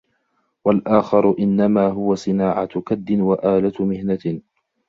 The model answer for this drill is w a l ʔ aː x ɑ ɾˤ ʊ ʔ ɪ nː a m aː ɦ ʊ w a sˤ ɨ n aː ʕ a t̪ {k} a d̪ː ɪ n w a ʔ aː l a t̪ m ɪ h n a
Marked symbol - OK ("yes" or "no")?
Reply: yes